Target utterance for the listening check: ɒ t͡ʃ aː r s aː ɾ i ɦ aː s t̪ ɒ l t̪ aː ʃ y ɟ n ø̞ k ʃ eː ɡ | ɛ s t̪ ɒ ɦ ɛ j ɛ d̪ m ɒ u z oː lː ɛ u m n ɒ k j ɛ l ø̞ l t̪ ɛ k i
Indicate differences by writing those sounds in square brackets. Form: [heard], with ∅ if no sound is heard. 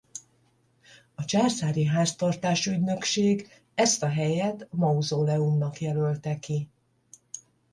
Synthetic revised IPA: ɒ t͡ʃ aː r s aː ɾ i ɦ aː s t̪ ɒ [r] t̪ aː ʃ y ɟ n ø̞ k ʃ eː ɡ | ɛ s t̪ ɒ ɦ ɛ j ɛ [t̪] m ɒ u z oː [l] ɛ u m n ɒ k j ɛ l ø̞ l t̪ ɛ k i